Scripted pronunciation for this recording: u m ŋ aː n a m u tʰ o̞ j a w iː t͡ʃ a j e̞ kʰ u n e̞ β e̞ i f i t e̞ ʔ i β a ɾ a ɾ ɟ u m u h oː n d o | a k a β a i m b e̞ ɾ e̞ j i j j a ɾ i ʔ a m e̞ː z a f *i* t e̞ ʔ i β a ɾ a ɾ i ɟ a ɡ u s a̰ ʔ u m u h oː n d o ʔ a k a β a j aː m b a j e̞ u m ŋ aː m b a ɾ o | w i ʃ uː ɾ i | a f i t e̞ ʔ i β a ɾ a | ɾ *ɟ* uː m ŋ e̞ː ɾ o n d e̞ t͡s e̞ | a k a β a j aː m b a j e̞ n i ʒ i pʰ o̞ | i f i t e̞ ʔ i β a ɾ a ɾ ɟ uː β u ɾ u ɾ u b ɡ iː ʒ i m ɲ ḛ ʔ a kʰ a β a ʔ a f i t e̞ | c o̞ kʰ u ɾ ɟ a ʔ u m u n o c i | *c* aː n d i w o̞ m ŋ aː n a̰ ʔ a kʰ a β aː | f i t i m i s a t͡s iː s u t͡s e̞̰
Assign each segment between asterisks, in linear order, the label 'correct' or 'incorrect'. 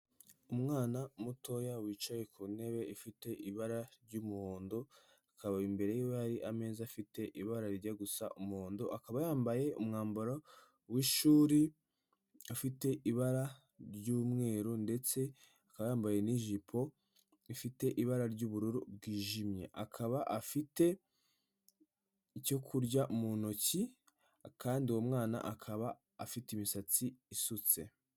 correct, correct, incorrect

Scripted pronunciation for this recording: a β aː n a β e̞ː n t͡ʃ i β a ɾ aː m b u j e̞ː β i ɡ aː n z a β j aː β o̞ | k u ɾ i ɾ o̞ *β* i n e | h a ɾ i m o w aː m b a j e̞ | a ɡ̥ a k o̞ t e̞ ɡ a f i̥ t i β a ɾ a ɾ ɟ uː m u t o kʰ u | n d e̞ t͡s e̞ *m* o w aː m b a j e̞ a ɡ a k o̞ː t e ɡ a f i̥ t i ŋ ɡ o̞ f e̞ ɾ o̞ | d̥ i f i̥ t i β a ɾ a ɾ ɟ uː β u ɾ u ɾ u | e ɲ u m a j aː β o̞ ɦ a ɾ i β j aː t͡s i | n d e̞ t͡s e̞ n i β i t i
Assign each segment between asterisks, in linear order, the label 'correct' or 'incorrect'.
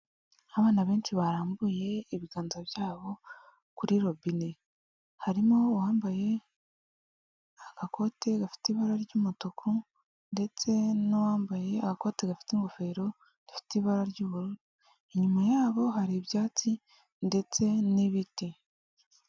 incorrect, incorrect

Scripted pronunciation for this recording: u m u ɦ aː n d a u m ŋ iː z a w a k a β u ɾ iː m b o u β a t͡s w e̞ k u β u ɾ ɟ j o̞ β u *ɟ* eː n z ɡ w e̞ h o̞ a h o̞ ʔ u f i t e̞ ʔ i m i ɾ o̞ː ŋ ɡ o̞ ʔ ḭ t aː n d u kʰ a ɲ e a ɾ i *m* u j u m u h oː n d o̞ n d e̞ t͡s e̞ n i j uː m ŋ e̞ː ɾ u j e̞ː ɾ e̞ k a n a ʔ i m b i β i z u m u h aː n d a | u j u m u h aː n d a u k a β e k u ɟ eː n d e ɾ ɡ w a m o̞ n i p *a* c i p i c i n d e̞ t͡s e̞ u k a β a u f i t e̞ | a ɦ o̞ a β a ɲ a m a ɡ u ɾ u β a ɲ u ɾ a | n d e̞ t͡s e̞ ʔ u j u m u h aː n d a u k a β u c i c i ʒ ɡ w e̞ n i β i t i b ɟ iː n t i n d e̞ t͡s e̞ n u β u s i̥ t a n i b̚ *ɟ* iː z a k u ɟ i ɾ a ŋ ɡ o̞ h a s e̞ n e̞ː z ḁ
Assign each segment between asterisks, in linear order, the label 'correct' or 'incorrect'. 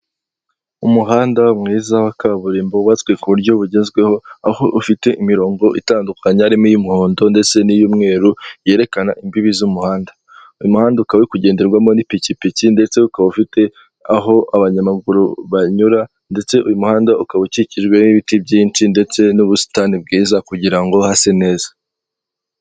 correct, correct, incorrect, incorrect

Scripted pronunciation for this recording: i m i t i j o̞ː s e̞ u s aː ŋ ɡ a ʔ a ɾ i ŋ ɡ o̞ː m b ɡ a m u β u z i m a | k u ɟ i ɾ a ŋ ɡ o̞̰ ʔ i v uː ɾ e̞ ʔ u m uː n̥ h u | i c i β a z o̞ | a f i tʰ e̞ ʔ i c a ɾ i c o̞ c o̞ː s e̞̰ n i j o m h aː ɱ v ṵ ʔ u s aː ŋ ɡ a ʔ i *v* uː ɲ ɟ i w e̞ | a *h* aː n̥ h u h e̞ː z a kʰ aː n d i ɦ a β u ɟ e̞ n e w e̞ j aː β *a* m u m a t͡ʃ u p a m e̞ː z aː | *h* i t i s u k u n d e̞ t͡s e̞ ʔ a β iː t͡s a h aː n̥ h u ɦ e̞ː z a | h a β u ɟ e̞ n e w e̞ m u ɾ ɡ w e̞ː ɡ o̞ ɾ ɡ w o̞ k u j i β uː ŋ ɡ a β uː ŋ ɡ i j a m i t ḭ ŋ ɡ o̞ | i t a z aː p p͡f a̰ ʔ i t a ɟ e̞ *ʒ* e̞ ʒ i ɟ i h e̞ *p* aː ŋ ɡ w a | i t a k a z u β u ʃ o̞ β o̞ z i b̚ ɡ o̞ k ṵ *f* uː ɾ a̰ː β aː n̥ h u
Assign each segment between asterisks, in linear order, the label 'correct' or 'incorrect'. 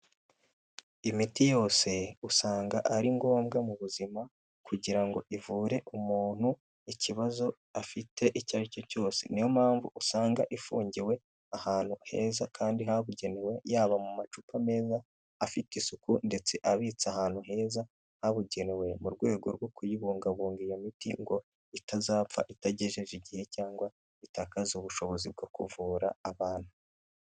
incorrect, correct, correct, incorrect, correct, incorrect, incorrect

